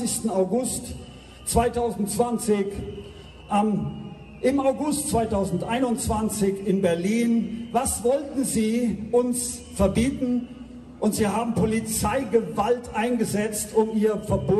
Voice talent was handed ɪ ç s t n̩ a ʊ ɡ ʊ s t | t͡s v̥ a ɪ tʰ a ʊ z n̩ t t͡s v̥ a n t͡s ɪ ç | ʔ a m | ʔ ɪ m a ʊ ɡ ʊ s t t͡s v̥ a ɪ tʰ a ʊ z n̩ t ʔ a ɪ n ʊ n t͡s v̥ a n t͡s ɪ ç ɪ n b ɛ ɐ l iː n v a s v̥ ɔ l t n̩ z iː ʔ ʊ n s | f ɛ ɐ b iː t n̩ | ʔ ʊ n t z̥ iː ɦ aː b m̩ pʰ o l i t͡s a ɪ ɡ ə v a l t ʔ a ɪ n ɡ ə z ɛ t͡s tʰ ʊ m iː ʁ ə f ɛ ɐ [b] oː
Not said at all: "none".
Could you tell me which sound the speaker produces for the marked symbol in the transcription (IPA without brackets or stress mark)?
b